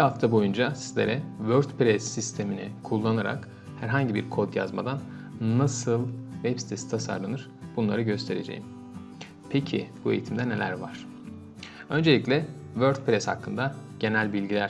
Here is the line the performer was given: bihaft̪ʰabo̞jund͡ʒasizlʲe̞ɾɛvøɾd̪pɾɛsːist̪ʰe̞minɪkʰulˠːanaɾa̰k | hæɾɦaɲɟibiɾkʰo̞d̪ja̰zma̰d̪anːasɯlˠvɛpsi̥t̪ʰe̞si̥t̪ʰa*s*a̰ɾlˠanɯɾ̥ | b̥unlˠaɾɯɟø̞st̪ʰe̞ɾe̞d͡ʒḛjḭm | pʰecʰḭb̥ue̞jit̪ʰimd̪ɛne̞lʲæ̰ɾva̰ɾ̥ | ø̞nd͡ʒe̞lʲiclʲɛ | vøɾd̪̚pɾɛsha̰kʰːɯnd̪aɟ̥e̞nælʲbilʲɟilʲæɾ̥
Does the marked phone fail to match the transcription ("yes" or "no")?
no